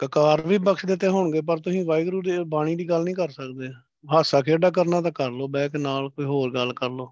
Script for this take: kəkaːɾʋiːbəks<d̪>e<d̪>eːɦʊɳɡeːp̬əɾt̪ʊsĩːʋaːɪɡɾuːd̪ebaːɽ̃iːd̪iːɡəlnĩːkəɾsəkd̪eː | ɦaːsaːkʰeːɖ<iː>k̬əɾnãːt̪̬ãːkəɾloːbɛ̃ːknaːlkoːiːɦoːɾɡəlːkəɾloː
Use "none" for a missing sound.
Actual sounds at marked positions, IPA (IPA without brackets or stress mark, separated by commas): d̪, t̪, aː